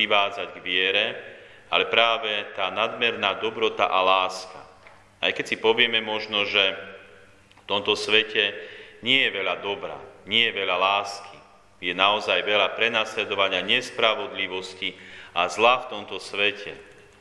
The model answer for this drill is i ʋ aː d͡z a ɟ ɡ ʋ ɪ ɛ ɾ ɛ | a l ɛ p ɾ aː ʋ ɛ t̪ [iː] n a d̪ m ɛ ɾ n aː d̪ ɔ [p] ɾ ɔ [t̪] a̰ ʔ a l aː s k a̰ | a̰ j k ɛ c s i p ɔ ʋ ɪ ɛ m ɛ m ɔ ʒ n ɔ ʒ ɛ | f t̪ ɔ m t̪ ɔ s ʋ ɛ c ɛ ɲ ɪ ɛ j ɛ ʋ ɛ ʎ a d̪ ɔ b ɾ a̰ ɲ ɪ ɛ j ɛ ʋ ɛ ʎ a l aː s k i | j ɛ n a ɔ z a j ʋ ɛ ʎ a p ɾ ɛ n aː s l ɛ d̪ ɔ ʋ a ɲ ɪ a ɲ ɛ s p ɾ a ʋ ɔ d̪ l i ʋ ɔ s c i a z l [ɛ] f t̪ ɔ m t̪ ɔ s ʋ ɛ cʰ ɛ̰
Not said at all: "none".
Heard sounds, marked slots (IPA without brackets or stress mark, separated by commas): aː, b, t̪, a